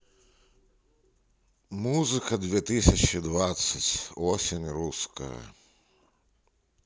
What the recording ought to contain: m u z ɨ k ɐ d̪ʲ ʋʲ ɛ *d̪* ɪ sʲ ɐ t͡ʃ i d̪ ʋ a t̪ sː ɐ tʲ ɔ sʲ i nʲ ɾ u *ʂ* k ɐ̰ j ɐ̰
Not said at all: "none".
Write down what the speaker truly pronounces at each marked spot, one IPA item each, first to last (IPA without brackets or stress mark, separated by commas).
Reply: t̪, s